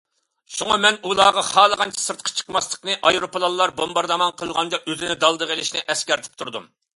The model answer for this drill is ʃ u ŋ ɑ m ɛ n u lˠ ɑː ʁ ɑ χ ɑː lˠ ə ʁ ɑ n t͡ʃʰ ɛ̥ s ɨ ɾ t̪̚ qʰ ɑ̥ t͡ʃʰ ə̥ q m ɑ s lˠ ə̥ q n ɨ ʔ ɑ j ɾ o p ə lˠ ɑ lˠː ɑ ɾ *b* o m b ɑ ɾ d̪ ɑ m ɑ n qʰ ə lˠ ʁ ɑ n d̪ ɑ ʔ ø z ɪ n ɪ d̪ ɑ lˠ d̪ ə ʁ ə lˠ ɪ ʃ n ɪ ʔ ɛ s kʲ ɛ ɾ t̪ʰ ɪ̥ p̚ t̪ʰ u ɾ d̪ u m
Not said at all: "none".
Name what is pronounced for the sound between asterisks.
b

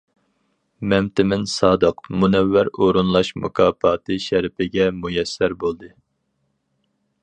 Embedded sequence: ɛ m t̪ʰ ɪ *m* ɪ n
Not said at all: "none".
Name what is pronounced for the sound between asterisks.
m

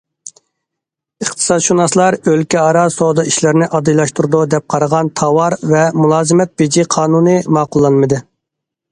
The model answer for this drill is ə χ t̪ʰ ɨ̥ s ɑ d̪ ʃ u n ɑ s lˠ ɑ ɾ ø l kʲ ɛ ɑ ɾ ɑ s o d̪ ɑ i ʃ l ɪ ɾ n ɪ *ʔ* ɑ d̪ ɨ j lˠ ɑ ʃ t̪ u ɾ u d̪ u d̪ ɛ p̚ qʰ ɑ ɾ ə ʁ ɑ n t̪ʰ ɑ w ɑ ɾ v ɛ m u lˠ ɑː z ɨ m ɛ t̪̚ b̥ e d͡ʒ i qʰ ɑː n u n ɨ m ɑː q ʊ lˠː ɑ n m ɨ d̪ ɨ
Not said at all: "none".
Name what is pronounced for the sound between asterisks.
ʔ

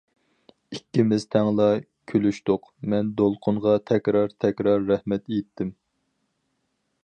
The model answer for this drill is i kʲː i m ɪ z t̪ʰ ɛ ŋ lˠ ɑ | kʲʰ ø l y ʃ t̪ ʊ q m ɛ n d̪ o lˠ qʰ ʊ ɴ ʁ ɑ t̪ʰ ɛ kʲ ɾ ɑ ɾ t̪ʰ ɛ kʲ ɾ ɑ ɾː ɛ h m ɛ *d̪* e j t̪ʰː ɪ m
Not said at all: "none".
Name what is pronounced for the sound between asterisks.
t̪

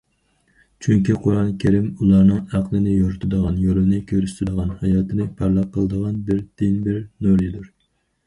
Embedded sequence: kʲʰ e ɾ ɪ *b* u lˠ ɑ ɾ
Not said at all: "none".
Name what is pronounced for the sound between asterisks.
m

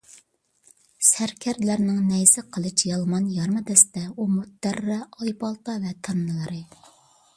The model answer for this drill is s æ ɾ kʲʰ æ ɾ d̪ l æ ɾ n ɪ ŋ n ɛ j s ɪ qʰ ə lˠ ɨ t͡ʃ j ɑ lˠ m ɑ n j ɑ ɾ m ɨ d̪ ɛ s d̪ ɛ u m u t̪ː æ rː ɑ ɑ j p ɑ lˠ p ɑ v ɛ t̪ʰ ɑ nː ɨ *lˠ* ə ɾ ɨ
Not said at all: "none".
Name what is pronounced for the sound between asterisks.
lˠ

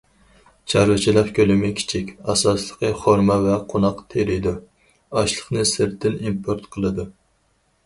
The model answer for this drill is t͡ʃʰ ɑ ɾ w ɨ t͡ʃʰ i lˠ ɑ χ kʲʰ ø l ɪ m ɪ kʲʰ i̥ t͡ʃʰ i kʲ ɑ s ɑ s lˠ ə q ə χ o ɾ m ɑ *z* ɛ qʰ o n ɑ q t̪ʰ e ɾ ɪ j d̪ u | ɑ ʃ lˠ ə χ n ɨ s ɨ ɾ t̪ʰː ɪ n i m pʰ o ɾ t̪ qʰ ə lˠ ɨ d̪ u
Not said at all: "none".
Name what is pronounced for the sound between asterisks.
v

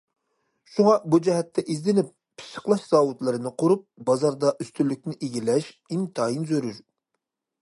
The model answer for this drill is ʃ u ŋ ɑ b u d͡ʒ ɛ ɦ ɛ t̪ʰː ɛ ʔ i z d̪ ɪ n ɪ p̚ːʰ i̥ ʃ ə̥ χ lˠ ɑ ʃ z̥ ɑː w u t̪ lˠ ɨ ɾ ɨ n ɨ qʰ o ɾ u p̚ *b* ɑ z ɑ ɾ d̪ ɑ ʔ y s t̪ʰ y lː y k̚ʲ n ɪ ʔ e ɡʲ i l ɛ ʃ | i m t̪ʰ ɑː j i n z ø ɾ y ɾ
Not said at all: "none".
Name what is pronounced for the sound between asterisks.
b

